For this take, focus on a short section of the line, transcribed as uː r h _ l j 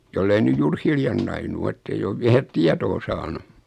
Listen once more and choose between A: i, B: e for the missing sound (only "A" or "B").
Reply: A